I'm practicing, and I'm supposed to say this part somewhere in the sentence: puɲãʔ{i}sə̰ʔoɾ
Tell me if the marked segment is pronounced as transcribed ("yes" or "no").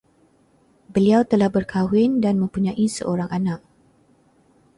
yes